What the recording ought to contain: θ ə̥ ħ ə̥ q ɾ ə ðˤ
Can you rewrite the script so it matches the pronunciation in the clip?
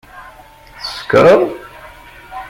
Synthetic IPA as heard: θ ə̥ s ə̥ k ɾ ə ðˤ